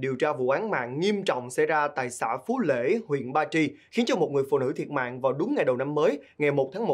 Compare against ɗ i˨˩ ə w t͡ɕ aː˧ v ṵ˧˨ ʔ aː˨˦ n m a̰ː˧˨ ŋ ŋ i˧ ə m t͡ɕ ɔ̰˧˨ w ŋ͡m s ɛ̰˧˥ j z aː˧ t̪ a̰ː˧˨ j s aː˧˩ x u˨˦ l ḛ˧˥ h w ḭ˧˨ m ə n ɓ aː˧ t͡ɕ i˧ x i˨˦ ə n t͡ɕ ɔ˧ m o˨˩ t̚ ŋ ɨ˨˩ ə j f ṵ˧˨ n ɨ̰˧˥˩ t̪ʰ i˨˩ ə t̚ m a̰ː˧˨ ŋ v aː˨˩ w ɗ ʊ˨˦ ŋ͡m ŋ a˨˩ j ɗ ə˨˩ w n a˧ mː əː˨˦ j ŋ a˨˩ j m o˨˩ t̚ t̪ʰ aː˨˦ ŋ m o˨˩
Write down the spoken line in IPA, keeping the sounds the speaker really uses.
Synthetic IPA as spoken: ɗ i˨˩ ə w t͡ɕ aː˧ v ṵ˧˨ ʔ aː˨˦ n m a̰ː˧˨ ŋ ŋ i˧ ə m t͡ɕ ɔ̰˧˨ w ŋ͡m s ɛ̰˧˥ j z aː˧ t̪ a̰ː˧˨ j s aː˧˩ f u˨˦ l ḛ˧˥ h w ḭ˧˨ ə n ɓ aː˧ t͡ɕ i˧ x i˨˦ ə n t͡ɕ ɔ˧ m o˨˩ t̚ ŋ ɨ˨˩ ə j f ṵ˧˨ n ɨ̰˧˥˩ t̪ʰ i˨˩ ə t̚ m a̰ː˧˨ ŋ v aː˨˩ w ɗ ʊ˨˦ ŋ͡m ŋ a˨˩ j ɗ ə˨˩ w n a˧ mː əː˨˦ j ŋ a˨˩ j m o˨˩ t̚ t̪ʰ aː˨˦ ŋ m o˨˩